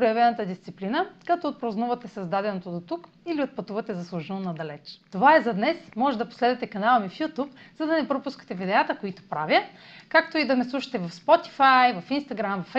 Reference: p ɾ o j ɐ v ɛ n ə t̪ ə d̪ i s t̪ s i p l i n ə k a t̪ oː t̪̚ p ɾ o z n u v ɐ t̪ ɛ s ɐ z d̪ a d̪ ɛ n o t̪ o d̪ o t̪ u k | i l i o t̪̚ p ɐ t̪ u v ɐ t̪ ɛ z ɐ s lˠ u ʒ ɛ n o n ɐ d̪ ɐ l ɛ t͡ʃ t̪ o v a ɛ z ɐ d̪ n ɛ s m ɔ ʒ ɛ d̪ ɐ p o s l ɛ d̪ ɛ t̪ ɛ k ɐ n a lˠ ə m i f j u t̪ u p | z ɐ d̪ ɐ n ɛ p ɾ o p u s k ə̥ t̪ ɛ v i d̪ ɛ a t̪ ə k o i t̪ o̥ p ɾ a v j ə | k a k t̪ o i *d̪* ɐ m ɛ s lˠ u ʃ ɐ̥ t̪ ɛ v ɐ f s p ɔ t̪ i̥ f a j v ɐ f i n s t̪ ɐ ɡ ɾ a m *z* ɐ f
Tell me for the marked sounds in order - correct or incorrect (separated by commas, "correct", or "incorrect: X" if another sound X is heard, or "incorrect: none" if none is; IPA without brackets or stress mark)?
correct, incorrect: v